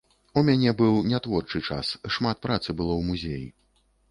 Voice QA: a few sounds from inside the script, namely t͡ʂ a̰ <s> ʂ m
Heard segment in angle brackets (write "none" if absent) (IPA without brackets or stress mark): s